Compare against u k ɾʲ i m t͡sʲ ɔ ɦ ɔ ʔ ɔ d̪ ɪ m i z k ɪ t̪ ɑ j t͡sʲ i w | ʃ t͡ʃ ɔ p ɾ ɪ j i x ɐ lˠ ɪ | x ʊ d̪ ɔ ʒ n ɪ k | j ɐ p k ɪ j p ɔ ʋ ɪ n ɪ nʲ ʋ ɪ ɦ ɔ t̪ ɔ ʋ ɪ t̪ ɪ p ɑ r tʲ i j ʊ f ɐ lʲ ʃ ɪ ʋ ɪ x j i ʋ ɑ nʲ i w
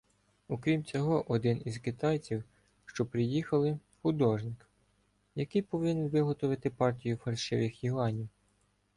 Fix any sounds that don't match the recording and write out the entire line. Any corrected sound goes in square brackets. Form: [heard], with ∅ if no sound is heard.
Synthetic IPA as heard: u k ɾʲ i m t͡sʲ ɔ ɦ ɔ ʔ ɔ d̪ ɪ [n] i z k ɪ t̪ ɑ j t͡sʲ i w | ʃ t͡ʃ ɔ p ɾ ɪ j i x ɐ lˠ ɪ | x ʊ d̪ ɔ ʒ n ɪ k | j ɐ [∅] k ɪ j p ɔ ʋ ɪ n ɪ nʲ ʋ ɪ ɦ ɔ t̪ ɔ ʋ ɪ t̪ ɪ p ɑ r tʲ i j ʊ f ɐ lʲ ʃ ɪ ʋ ɪ x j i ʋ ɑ nʲ i w